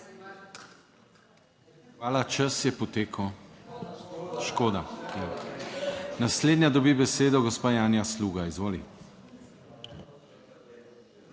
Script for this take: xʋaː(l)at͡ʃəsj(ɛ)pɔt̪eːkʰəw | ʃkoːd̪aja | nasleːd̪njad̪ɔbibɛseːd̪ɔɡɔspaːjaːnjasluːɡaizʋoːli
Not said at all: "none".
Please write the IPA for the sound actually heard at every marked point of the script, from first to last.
l, ɛ

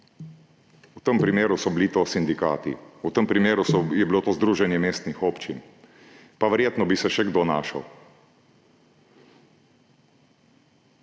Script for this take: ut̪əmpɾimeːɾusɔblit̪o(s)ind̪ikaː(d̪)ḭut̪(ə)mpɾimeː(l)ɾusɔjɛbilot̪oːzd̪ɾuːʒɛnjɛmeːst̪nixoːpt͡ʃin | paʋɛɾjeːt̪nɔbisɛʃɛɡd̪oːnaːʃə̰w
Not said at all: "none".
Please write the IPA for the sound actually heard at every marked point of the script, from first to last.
s, t̪, ə, none

